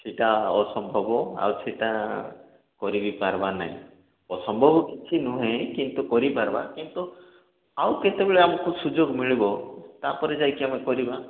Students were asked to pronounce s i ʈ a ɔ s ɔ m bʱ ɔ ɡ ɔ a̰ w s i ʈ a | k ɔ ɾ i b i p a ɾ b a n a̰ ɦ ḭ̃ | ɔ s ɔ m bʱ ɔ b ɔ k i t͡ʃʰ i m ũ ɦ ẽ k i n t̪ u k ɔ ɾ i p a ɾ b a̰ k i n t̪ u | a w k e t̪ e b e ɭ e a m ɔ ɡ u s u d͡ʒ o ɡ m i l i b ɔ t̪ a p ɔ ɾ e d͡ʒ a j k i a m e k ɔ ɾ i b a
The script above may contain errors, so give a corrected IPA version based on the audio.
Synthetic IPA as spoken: s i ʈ a ɔ s ɔ m bʱ ɔ b ɔ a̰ w s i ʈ a | k ɔ ɾ i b i p a ɾ b a n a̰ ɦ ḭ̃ | ɔ s ɔ m bʱ ɔ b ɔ k i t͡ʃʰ i n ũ ɦ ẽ k i n t̪ u k ɔ ɾ i p a ɾ b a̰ k i n t̪ u | a w k e t̪ e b e ɭ e a m ɔ k u s u d͡ʒ o ɡ m i ɭ i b ɔ t̪ a p ɔ ɾ e d͡ʒ a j k i a m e k ɔ ɾ i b a